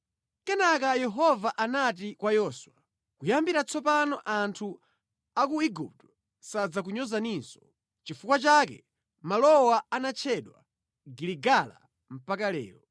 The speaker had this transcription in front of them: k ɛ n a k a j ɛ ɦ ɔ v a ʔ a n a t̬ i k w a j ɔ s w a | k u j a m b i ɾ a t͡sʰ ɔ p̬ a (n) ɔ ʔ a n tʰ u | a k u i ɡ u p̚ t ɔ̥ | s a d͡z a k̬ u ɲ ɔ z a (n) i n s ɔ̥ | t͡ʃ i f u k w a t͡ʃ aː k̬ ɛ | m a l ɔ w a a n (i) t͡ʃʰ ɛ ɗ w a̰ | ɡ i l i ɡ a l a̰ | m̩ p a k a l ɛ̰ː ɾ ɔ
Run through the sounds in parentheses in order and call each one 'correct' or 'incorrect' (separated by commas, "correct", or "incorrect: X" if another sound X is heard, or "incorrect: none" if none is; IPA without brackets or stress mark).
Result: correct, correct, incorrect: a